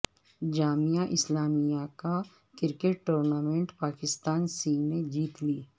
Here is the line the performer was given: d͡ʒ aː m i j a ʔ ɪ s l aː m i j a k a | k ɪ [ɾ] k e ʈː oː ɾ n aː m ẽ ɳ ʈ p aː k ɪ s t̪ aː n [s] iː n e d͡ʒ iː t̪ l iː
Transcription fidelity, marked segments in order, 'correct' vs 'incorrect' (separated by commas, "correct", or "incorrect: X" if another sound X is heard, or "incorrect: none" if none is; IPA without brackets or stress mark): correct, correct